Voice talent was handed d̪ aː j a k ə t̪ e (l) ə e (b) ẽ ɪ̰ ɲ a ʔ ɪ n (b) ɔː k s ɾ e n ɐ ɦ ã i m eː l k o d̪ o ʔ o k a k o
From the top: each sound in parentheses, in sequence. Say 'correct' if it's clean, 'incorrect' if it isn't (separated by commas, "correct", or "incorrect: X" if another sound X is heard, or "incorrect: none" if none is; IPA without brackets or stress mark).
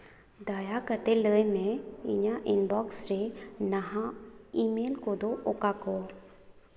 correct, incorrect: m, correct